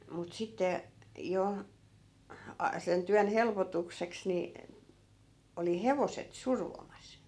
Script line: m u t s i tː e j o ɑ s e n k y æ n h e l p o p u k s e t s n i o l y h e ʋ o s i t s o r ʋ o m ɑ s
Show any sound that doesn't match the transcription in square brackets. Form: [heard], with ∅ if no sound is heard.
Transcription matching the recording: m u t s i tː e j o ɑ s e n [t] y æ n h e l p o [t] u k s e [k] s n i o l [i] h e ʋ o s [e] t s [u] r ʋ o m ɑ s